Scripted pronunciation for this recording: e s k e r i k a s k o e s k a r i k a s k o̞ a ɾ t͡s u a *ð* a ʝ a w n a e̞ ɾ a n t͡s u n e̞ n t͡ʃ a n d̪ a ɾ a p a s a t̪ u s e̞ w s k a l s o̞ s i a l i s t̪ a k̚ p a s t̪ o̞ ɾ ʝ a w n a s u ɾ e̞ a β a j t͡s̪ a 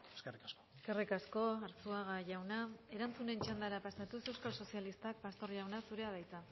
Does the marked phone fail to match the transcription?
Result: yes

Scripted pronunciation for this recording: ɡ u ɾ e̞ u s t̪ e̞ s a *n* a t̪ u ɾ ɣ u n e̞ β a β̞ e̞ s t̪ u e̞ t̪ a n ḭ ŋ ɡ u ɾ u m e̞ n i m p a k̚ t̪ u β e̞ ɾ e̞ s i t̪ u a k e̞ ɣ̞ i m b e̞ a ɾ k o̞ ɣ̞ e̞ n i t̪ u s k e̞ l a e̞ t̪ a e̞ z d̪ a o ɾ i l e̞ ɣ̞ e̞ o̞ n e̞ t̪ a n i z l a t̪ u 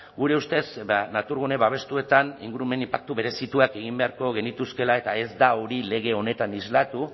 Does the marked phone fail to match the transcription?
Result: no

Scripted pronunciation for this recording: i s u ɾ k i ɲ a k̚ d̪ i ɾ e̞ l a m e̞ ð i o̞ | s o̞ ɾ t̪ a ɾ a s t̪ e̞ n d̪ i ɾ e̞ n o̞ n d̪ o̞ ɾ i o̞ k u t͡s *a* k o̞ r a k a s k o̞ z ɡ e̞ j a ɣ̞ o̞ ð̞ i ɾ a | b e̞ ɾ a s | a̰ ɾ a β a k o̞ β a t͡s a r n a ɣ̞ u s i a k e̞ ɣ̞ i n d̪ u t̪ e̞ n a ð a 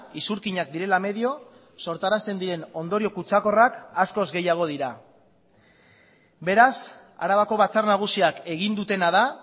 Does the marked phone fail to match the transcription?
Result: no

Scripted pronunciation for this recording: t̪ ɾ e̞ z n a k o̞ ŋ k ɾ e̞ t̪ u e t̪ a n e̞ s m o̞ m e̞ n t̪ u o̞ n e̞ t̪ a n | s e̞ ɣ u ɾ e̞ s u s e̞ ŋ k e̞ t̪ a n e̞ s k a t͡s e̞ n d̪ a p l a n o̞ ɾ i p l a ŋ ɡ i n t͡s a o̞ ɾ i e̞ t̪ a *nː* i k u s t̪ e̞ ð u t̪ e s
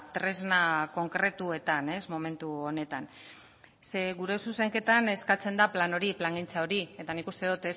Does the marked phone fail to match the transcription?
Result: yes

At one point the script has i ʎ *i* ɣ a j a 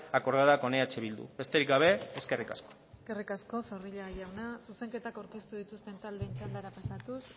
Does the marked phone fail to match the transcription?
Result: yes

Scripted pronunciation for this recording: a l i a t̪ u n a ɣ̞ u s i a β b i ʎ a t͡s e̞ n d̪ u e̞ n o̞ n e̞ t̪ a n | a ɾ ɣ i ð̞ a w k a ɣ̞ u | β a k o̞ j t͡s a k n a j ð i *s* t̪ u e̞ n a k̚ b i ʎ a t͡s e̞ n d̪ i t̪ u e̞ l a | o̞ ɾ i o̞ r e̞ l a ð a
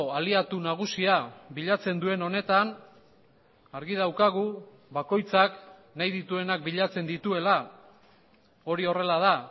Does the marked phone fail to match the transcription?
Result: yes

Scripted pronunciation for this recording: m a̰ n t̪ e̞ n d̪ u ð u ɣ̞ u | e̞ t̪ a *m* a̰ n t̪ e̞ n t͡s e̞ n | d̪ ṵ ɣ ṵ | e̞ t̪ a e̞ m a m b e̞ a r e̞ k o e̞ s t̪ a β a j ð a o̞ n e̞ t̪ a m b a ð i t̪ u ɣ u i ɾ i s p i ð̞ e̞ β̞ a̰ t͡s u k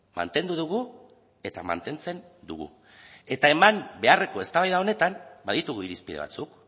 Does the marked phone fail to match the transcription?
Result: no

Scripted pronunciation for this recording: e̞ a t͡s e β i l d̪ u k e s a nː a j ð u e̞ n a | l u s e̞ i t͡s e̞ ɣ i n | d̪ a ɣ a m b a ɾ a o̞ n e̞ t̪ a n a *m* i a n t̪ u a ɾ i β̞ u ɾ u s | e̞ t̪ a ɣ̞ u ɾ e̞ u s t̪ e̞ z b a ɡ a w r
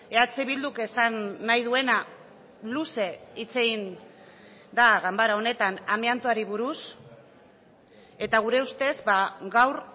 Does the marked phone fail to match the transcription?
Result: no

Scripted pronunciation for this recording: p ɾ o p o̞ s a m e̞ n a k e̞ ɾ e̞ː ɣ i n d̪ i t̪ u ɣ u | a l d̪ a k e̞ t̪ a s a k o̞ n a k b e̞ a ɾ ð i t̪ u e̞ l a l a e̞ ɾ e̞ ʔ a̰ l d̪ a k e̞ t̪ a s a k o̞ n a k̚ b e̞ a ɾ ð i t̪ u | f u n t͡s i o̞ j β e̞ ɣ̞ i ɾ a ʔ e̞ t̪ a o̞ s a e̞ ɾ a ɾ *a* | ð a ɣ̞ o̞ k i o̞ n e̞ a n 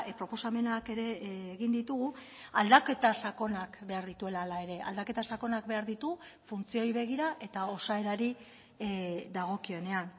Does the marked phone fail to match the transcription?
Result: yes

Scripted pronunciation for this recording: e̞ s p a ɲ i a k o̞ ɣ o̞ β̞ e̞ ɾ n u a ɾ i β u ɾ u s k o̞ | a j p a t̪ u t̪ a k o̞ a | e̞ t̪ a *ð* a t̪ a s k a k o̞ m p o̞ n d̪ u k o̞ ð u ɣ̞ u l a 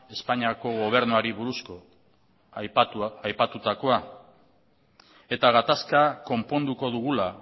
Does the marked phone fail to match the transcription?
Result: yes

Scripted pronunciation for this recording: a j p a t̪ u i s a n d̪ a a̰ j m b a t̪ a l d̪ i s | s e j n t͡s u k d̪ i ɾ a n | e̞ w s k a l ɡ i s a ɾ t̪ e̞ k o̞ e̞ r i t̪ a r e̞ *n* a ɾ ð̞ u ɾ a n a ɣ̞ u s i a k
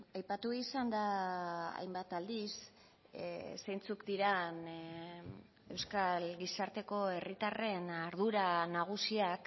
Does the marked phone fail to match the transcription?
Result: no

